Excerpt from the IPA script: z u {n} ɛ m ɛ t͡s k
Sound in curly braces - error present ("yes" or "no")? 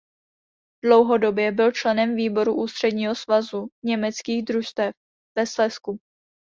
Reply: yes